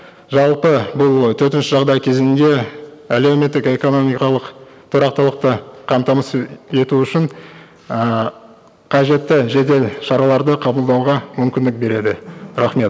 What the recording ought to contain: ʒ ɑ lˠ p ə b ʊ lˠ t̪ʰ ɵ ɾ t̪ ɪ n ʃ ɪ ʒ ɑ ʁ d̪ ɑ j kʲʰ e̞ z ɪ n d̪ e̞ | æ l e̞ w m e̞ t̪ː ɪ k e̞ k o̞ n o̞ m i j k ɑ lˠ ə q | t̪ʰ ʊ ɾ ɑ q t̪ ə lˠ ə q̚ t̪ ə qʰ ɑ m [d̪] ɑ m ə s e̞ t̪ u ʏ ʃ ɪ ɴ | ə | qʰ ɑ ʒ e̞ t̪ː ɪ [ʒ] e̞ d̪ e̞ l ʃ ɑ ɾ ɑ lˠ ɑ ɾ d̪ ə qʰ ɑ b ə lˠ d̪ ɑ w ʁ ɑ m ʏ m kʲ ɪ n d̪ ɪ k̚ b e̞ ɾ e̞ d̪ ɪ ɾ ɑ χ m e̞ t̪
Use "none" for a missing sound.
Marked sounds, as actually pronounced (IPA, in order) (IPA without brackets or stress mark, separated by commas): t̪, ʒ